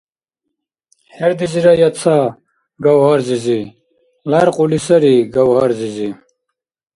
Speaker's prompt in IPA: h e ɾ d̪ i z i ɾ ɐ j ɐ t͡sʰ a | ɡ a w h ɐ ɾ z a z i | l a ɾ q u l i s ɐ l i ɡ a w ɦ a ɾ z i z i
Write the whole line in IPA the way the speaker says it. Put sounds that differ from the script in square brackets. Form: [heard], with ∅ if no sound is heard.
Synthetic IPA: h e ɾ d̪ i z i ɾ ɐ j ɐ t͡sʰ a | ɡ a w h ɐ ɾ z [i] z i | l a ɾ q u l i s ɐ [ɾ] i ɡ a w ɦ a ɾ z i z i